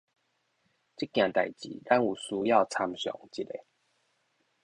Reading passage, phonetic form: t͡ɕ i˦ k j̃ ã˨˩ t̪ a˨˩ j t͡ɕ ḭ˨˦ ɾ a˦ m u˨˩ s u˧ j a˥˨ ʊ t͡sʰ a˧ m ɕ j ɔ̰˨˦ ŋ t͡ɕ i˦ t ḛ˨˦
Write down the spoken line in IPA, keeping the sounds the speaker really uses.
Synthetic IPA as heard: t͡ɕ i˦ k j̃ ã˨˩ t̪ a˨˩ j t͡ɕ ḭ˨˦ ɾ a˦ n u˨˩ s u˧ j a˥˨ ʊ t͡sʰ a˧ m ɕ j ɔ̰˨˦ ŋ t͡ɕ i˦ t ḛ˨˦